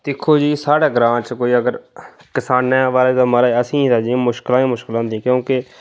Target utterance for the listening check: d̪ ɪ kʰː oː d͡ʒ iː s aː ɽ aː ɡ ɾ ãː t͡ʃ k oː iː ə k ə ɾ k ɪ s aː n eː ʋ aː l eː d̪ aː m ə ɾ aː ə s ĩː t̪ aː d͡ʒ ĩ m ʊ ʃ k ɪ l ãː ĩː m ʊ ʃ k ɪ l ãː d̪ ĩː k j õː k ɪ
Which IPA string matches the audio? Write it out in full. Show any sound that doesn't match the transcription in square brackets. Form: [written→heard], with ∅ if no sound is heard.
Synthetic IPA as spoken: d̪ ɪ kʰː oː d͡ʒ iː s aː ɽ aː ɡ ɾ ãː t͡ʃ k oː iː ə [k→ɡ] ə ɾ k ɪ s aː n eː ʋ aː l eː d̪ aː m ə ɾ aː ə s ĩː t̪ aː d͡ʒ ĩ m ʊ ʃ k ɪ l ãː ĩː m ʊ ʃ k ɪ l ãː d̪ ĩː k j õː k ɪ